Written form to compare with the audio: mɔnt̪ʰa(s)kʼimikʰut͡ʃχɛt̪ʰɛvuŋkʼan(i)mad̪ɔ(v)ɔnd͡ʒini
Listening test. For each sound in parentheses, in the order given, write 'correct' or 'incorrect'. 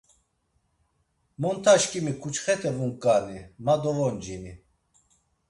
incorrect, correct, correct

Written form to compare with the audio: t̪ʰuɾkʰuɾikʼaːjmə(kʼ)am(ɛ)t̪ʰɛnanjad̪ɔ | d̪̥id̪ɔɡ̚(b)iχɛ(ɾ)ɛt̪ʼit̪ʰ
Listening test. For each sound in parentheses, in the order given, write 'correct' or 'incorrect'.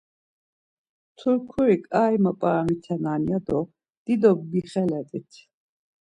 incorrect, incorrect, correct, incorrect

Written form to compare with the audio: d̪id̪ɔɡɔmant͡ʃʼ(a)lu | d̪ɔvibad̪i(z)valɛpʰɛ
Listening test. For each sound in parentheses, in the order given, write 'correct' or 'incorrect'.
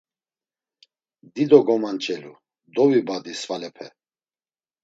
incorrect, incorrect

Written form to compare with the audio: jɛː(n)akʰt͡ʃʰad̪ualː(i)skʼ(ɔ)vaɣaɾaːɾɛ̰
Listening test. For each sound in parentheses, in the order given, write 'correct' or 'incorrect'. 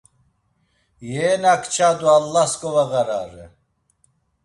correct, incorrect, correct

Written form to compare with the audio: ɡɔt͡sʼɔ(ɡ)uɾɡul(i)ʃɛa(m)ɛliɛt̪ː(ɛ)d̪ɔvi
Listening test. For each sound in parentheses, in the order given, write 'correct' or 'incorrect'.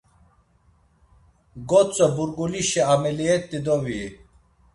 incorrect, correct, correct, incorrect

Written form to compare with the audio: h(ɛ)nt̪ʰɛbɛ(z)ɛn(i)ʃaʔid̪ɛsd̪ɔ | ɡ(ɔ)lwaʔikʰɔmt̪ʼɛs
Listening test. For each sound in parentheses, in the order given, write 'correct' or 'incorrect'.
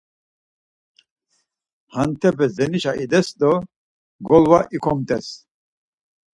incorrect, correct, correct, correct

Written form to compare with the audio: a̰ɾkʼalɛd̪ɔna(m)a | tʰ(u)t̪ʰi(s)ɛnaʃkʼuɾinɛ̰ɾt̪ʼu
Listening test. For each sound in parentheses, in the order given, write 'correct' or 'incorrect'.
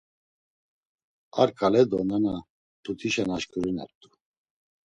incorrect, correct, incorrect

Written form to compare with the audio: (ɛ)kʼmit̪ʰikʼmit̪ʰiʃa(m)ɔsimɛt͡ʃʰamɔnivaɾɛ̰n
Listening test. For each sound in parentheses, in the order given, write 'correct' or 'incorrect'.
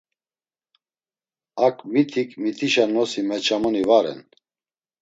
incorrect, incorrect

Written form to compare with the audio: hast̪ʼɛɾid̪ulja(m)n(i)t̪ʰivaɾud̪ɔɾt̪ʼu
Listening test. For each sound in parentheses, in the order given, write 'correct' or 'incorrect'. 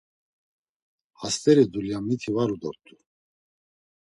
correct, correct

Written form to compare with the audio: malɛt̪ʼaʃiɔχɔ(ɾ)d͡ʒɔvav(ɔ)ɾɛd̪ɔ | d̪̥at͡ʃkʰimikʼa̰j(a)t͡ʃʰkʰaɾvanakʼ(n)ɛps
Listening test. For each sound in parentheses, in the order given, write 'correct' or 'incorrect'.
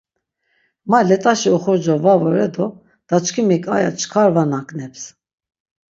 correct, correct, correct, correct

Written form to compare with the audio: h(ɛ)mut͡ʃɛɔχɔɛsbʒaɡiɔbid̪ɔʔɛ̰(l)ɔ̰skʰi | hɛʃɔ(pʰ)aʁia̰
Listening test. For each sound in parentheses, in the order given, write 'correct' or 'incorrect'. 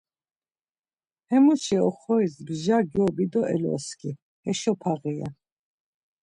correct, correct, correct

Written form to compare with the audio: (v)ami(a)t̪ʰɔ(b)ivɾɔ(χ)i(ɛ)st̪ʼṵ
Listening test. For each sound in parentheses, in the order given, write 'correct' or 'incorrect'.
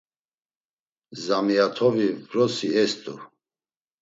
incorrect, correct, incorrect, incorrect, correct

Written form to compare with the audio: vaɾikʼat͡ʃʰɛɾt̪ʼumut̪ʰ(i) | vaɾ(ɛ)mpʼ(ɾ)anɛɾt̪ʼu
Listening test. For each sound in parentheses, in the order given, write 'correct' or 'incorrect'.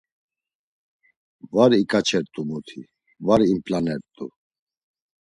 correct, incorrect, incorrect

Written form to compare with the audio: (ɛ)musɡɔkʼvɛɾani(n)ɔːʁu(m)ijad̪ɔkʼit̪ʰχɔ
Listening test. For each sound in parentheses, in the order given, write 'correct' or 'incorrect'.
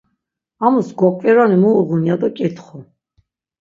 incorrect, incorrect, incorrect

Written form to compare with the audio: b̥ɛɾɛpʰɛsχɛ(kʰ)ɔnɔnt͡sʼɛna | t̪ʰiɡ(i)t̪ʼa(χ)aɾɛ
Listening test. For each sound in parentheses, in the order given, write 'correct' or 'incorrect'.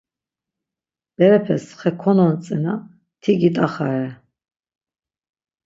correct, correct, correct

